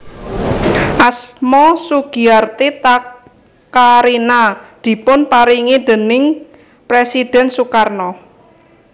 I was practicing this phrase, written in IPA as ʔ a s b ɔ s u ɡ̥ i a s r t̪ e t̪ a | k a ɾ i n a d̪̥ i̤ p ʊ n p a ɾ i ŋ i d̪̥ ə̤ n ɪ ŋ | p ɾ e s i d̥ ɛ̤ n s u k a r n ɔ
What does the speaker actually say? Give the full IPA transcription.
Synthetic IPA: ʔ a s m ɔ s u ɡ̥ i a r t̪ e t̪ a | k a ɾ i n a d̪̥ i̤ p ʊ n p a ɾ i ŋ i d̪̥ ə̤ n ɪ ŋ | p ɾ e s i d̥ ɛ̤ n s u k a r n ɔ